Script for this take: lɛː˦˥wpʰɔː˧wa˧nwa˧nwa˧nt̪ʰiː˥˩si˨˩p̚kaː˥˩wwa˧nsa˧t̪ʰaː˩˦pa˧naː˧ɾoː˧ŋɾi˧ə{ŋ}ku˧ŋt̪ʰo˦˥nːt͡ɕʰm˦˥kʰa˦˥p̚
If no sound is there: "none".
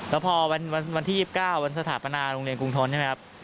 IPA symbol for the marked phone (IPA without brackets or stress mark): n